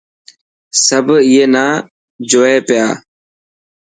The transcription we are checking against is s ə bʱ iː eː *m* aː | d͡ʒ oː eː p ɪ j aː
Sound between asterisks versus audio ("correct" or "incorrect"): incorrect